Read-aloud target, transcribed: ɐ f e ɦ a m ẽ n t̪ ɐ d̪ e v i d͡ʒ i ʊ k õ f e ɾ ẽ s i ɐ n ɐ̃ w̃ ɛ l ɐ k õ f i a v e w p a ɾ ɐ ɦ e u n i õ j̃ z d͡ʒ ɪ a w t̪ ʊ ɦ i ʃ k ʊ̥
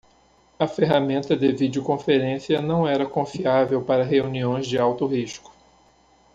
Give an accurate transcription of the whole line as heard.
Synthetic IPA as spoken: ɐ f e ɦ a m ẽ n t̪ ɐ d̪ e v i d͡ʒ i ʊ k õ f e ɾ ẽ s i ɐ n ɐ̃ w̃ ɛ ɾ ɐ k õ f i a v e w p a ɾ ɐ ɦ e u n i õ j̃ z d͡ʒ ɪ a w t̪ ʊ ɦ i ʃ k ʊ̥